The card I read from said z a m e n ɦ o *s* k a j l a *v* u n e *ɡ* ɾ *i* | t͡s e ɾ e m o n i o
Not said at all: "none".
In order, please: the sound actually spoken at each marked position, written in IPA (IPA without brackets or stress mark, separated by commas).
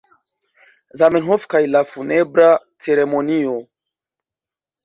f, f, b, a